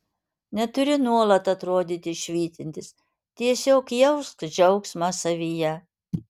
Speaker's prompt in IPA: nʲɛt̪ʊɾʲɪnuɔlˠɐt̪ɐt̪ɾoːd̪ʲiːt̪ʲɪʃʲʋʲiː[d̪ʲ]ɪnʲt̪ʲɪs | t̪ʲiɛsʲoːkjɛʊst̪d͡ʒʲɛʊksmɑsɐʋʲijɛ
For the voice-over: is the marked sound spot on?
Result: no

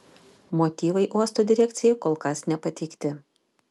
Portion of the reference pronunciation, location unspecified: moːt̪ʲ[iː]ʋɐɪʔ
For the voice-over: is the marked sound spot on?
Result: yes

